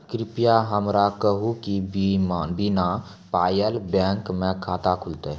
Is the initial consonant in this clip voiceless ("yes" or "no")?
yes